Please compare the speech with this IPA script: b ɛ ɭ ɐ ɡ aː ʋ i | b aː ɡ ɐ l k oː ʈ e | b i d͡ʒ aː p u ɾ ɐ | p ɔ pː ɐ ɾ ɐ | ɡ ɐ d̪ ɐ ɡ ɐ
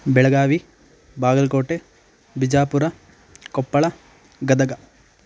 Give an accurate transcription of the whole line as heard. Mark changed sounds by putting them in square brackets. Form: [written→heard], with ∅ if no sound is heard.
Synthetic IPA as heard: b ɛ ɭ ɐ ɡ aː ʋ i | b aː ɡ ɐ l k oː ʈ e | b i d͡ʒ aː p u ɾ ɐ | [p→k] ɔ pː ɐ [ɾ→ɭ] ɐ | ɡ ɐ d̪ ɐ ɡ ɐ